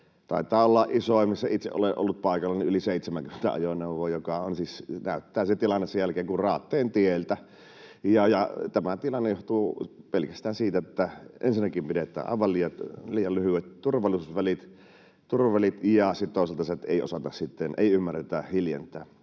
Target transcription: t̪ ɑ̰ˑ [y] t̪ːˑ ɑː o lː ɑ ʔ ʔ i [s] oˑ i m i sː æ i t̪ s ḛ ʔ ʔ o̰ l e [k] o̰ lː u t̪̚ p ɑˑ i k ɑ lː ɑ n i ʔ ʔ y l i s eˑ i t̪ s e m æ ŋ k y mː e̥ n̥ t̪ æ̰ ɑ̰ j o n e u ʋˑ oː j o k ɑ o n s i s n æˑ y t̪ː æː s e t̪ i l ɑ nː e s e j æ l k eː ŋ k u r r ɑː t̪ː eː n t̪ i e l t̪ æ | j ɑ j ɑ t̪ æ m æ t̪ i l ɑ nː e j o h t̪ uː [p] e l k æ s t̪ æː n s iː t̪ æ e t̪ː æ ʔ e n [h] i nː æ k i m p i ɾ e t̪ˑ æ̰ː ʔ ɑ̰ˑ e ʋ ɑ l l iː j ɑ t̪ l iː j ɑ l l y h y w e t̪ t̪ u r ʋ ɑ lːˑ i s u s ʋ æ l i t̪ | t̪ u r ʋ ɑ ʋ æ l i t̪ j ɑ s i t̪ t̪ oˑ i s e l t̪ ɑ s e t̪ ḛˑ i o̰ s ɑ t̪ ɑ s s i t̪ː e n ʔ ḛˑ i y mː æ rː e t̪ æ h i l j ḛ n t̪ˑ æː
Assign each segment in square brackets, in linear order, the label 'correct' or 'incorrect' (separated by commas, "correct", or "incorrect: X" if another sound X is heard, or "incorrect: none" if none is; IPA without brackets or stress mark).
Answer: incorrect: i, correct, incorrect: ʔ, correct, incorrect: s